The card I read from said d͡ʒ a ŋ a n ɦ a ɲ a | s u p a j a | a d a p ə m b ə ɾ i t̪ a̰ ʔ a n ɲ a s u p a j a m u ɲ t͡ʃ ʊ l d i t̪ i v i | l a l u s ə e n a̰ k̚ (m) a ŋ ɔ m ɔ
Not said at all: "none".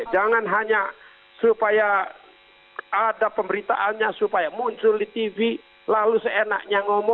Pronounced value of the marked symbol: ɲ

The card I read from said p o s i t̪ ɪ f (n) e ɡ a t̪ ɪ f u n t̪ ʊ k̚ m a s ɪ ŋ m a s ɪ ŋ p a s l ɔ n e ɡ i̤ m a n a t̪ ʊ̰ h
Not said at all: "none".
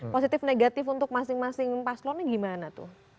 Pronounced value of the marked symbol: n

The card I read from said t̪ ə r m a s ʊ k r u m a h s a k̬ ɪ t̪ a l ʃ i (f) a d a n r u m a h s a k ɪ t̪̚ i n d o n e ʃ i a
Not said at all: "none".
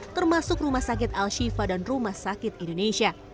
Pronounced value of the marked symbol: f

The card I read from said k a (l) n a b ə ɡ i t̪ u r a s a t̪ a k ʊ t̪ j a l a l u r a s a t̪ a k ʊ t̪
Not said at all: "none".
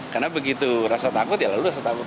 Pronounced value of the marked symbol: r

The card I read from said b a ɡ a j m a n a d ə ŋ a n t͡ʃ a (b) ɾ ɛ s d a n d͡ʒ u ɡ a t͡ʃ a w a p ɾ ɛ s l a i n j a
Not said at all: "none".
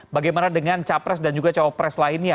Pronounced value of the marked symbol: p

